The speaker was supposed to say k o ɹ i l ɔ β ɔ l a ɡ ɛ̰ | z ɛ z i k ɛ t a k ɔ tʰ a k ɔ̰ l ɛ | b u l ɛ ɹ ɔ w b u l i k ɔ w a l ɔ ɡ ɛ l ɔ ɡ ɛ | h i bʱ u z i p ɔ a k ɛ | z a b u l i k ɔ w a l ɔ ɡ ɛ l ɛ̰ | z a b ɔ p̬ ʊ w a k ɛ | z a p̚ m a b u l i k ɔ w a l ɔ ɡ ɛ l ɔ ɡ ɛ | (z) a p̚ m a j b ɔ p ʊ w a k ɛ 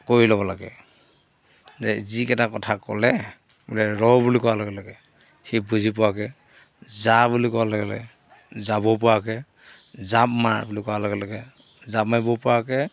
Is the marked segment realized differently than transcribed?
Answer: no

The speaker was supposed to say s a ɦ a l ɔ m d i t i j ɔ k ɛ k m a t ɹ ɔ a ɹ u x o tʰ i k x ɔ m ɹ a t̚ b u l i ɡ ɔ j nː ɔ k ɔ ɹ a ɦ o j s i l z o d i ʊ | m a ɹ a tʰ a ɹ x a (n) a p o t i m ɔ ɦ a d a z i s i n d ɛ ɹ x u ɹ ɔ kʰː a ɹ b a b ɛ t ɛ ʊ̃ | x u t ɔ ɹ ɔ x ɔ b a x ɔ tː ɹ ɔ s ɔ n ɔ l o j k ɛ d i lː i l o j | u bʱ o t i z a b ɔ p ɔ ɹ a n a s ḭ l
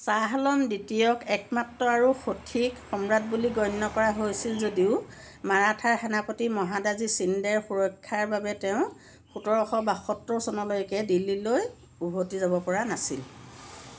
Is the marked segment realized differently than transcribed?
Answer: no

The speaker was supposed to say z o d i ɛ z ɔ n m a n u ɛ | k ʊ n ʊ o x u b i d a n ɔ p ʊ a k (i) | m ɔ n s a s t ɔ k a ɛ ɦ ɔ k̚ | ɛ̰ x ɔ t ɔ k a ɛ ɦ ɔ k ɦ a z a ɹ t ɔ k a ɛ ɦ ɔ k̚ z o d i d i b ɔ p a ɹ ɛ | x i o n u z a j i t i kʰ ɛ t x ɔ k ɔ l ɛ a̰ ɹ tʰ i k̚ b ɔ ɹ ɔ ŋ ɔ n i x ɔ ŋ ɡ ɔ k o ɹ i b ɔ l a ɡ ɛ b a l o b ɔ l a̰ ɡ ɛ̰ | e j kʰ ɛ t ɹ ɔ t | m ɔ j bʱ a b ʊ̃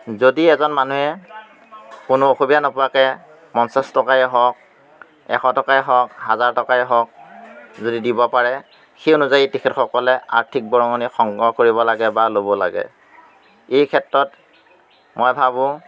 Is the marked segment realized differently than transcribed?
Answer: yes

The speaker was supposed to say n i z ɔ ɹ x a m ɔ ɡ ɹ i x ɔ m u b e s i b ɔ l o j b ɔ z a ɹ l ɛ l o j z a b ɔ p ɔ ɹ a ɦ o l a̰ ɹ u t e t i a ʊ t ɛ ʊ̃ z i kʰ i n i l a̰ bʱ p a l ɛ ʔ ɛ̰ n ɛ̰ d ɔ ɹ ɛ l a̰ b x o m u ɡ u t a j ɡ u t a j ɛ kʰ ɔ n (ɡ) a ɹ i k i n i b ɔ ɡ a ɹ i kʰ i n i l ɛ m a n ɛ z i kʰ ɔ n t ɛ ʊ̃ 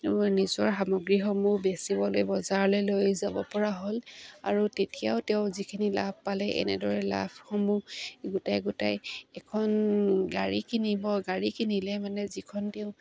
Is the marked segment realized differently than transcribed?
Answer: no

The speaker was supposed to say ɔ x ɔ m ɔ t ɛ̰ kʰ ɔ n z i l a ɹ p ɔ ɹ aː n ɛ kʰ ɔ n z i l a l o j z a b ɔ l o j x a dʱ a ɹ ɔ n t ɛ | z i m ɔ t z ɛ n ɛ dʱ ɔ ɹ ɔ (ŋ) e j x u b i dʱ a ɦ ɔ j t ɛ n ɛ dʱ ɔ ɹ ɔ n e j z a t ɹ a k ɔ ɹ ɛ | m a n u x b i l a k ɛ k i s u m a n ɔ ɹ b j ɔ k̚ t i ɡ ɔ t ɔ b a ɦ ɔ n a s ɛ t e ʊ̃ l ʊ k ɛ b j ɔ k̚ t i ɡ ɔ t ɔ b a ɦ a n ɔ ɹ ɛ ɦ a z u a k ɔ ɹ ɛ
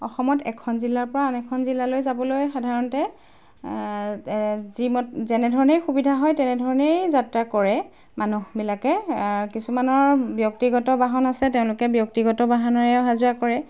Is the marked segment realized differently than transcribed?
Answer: yes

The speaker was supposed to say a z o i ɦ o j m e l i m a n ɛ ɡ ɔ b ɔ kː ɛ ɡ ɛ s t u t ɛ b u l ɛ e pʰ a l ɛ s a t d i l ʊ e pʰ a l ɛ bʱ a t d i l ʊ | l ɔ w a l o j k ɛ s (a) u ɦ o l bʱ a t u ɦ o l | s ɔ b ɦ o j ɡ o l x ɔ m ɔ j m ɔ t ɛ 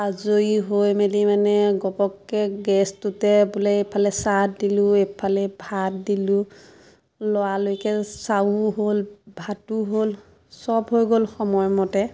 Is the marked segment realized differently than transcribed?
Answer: no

